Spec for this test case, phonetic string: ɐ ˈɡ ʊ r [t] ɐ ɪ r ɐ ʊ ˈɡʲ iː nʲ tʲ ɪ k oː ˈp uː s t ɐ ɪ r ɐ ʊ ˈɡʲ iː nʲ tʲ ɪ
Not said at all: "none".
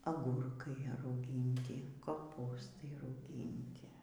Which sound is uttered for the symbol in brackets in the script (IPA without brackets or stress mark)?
k